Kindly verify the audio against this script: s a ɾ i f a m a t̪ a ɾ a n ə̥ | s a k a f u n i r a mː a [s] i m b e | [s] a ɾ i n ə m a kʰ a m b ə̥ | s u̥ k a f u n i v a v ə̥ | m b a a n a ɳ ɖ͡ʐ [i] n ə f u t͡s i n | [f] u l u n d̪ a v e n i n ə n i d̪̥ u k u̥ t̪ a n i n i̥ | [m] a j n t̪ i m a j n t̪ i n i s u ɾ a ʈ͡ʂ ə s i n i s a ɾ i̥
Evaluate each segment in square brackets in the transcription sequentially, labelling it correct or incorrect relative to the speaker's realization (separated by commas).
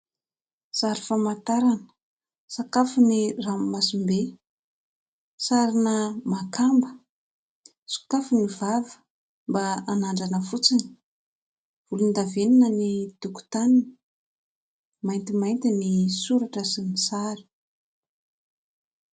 correct, correct, incorrect, incorrect, correct